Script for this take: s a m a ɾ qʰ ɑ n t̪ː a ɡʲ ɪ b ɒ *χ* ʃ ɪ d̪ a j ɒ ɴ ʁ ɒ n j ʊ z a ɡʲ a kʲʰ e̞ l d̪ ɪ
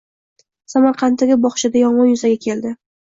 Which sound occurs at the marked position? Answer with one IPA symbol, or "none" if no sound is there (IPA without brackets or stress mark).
χ